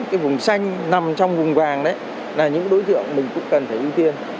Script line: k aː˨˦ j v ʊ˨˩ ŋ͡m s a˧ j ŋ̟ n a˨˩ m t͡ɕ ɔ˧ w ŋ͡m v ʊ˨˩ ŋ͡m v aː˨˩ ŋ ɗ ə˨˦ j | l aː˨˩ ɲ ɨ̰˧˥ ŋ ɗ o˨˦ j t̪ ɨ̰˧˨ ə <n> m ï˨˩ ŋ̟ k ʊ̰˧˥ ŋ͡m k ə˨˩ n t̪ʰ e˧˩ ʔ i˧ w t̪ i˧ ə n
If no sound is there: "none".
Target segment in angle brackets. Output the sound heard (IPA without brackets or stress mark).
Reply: ŋ